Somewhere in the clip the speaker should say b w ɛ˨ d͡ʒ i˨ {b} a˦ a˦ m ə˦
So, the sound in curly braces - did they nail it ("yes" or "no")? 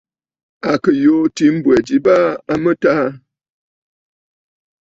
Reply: yes